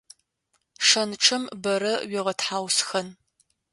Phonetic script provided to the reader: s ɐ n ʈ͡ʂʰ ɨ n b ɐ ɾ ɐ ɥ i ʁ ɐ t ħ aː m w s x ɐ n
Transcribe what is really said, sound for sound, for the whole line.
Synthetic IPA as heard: ʂ ɐ n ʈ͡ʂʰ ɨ m b ɐ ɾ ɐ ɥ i ʁ ɐ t ħ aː w s x ɐ n